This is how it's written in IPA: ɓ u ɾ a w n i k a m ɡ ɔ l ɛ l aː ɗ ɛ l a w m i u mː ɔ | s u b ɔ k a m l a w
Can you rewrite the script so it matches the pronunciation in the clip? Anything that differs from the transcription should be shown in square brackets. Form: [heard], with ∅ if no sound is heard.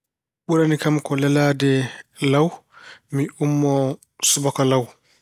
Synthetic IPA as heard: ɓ u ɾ a [∅] n i k a m [k] ɔ l ɛ l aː [d] ɛ l a w m i u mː ɔ | s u b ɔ k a [∅] l a w